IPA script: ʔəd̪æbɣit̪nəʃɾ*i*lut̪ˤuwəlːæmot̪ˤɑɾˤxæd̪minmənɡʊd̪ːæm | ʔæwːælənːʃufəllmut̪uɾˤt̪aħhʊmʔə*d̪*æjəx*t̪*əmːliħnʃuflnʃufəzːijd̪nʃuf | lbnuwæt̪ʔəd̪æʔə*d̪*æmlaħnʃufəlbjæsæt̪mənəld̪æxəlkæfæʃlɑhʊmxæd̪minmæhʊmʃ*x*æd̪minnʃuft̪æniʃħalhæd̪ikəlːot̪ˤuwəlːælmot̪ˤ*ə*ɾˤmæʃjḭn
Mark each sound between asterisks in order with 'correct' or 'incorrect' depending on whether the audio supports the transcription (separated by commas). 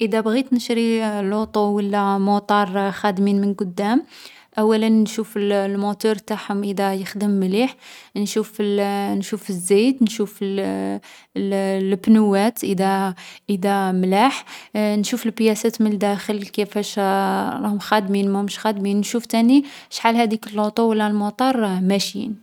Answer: correct, correct, incorrect, correct, correct, incorrect